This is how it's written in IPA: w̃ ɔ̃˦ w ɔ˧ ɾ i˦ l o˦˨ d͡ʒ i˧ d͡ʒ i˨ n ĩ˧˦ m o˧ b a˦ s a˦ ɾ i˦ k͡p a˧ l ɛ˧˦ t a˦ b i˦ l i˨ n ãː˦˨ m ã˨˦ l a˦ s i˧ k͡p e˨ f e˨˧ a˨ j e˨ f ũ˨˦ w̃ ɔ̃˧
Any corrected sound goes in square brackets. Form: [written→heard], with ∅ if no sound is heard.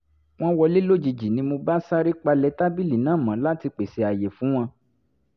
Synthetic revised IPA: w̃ ɔ̃˦ w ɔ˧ [ɾ→l] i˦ l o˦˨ d͡ʒ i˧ d͡ʒ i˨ n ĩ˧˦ m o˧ b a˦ s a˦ ɾ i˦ k͡p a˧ l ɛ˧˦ t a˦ b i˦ l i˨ n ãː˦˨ m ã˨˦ l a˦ [s→t] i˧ k͡p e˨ [f→s] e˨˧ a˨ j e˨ f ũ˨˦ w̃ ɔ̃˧